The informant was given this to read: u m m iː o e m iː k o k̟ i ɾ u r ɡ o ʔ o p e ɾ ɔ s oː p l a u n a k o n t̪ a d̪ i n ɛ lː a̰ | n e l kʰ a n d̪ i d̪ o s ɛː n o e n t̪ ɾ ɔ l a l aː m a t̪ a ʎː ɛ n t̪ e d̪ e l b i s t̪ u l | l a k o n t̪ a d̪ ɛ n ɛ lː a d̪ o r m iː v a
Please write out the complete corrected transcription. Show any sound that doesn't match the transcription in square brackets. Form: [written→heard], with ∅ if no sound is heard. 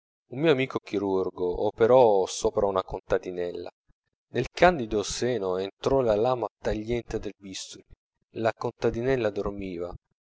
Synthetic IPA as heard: u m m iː o [e→a] m iː k o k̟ i ɾ u r ɡ o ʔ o p e ɾ ɔ s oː p [l→ɾ] a u n a k o n t̪ a d̪ i n ɛ lː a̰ | n e l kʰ a n d̪ i d̪ o s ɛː n o e n t̪ ɾ ɔ l a l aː m a t̪ a ʎː ɛ n t̪ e d̪ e l b i s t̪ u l | l a k o n t̪ a d̪ [ɛ→i] n ɛ lː a d̪ o r m iː v a